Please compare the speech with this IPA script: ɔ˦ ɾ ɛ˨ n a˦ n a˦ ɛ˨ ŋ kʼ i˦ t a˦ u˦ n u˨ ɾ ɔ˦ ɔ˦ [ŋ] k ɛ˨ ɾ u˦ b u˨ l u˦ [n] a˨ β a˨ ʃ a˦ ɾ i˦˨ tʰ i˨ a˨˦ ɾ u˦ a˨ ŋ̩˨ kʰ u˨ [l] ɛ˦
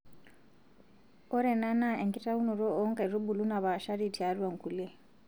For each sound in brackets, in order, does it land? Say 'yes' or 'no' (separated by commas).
yes, yes, yes